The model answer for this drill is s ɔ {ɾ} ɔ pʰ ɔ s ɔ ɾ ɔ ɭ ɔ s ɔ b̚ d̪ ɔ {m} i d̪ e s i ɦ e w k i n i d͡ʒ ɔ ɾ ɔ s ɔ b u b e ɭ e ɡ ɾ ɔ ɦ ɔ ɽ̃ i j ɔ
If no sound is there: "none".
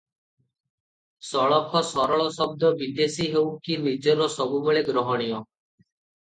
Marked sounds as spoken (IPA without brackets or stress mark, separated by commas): ɭ, b